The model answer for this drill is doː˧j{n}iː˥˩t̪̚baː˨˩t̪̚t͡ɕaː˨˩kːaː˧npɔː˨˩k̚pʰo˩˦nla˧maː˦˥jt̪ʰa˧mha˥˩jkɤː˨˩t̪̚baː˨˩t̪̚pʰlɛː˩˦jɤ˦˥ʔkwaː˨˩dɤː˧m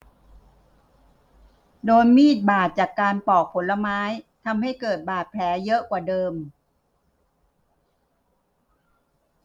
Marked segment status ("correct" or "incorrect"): incorrect